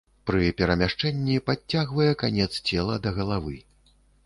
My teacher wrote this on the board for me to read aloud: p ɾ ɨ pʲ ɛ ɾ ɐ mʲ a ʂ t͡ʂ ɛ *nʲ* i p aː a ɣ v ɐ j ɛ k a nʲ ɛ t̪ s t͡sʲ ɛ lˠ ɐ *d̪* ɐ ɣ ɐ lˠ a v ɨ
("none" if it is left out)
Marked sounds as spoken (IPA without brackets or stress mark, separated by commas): nʲː, d̪